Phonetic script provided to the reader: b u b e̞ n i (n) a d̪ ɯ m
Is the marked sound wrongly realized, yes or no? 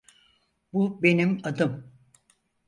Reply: yes